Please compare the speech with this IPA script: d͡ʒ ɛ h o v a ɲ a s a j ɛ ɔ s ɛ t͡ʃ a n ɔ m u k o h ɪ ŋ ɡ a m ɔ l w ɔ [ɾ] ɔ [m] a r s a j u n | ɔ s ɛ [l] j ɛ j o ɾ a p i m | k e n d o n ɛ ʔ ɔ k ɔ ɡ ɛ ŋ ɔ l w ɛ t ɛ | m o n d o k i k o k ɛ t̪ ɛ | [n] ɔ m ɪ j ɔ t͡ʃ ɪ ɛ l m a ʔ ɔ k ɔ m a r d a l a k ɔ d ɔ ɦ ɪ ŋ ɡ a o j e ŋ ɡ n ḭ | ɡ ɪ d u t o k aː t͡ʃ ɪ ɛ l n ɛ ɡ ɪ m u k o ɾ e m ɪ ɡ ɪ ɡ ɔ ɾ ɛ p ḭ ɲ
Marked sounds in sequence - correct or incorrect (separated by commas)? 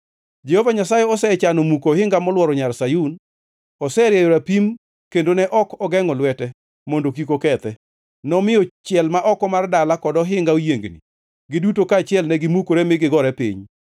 correct, incorrect, incorrect, correct